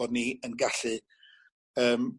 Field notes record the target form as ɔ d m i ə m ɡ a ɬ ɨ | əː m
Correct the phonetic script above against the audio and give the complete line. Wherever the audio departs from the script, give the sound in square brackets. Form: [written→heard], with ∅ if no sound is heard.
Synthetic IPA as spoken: ɔ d [m→n] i ə [m→n] ɡ a ɬ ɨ | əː m